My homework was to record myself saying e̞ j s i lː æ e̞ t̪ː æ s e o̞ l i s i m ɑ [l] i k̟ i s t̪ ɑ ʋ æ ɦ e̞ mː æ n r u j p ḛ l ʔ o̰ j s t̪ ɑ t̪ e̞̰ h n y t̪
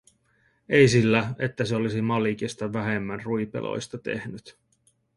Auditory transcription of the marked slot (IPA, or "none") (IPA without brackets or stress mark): l